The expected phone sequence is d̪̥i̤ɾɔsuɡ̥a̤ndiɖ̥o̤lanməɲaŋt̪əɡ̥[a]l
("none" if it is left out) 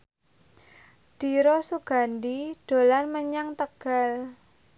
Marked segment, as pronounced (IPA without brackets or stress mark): a